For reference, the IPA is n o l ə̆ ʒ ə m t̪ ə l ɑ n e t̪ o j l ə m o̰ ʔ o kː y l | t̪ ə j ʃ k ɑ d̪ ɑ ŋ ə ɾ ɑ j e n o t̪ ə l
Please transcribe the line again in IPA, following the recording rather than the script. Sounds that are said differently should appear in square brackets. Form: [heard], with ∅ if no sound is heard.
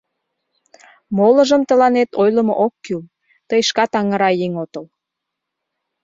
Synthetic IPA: [m] o l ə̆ ʒ ə m t̪ ə l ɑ n e t̪ o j l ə m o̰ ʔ o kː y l | t̪ ə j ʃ k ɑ [t̪] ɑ ŋ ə ɾ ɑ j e [ŋ] o t̪ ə l